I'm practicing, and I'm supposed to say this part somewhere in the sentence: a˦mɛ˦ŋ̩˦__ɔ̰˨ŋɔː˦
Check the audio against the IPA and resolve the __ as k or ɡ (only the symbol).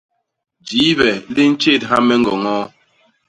ɡ